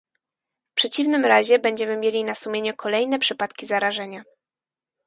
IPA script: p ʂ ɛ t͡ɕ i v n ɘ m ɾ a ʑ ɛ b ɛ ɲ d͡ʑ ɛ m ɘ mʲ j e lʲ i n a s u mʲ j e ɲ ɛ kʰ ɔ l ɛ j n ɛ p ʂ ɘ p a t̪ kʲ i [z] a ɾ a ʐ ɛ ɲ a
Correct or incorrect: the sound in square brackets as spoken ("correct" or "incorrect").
correct